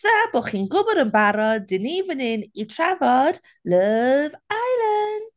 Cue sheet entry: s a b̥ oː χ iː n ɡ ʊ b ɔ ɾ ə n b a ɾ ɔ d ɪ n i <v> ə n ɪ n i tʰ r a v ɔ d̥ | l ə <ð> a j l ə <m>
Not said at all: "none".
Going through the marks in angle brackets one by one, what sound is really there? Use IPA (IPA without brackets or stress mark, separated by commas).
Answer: v, v, n